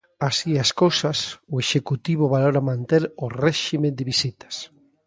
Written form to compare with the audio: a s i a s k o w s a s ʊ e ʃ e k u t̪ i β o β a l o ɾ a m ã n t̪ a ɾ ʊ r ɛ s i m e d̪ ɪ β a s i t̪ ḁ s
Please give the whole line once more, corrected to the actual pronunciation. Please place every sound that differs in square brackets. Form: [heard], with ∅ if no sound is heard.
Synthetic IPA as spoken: a s i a s k o w s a s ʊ e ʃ e k u t̪ i β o β a l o ɾ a m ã n t̪ [e] ɾ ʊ r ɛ [ʃ] i m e d̪ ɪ β [i] s i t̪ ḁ s